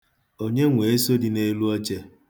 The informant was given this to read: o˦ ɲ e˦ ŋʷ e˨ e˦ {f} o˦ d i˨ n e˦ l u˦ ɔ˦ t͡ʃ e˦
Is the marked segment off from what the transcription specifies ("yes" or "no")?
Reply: yes